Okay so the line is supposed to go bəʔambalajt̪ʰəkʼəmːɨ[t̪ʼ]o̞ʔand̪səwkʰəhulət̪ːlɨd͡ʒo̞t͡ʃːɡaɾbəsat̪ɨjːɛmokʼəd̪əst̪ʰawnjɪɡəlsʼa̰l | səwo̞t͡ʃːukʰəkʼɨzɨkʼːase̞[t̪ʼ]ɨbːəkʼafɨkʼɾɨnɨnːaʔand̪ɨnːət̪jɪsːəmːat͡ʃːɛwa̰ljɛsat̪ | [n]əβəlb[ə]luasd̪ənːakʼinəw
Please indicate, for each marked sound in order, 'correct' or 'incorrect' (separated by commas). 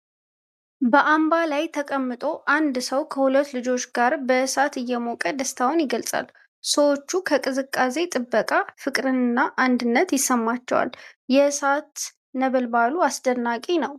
correct, correct, correct, incorrect